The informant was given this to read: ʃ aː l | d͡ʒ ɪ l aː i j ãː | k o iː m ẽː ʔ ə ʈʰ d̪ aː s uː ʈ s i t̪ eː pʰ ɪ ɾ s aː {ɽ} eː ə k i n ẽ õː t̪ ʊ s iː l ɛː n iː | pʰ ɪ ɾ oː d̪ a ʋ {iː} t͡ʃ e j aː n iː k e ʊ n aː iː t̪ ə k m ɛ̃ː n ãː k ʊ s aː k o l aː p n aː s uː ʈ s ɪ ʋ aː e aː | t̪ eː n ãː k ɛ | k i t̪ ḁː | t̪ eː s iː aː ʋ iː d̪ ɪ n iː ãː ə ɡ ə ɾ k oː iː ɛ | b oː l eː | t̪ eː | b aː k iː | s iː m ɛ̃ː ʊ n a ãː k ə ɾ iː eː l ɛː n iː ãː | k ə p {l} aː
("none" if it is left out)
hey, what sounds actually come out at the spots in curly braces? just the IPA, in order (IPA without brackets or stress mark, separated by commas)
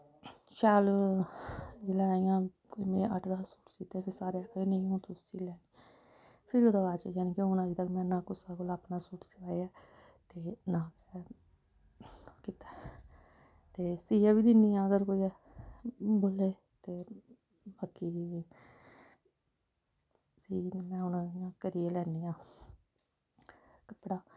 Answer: ɾ, aː, ɽ